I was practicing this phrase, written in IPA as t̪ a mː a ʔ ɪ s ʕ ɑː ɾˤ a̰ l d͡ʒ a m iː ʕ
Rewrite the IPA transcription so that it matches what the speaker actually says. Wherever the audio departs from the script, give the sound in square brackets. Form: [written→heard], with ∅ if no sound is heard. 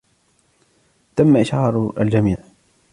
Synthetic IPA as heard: t̪ a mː a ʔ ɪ [s→ʃ] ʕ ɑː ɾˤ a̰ l d͡ʒ a m iː ʕ